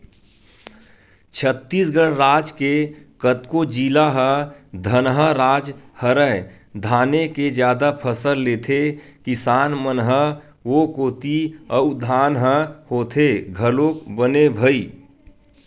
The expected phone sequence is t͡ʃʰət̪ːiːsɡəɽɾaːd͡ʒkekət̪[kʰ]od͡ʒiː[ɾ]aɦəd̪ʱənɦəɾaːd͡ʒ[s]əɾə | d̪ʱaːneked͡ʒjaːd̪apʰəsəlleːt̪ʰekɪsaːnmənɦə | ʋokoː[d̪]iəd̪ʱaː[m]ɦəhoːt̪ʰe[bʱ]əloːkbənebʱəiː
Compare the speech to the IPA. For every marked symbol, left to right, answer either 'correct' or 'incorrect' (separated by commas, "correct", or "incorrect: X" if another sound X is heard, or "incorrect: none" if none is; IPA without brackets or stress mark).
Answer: incorrect: k, incorrect: l, incorrect: h, incorrect: t̪, incorrect: n, incorrect: ɡʱ